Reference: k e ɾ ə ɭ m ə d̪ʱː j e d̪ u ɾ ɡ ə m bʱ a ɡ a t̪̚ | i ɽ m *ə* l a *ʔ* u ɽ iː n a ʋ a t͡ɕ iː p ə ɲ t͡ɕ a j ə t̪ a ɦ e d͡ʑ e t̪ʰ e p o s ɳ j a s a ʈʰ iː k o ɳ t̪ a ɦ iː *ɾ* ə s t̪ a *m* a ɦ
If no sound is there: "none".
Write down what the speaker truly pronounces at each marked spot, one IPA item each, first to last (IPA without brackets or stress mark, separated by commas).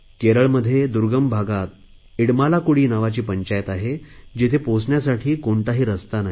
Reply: a, k, ɾ, n